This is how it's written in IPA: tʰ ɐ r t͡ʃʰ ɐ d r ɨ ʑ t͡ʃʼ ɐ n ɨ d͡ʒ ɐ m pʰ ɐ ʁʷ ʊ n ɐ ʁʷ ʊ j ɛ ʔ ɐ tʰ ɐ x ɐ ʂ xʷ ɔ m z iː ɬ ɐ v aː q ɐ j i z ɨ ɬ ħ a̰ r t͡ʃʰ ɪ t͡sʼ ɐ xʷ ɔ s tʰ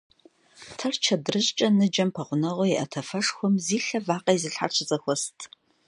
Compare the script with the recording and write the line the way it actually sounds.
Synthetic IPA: tʰ ɐ r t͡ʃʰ ɐ d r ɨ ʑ t͡ʃʼ ɐ n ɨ d͡ʒ ɐ m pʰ ɐ ʁʷ ʊ n ɐ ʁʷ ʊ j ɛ ʔ ɐ tʰ ɐ f ɐ ʂ xʷ ɔ m z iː ɬ ɐ v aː q ɐ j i z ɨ ɬ ħ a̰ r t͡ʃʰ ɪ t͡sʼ ɐ xʷ ɔ s tʰ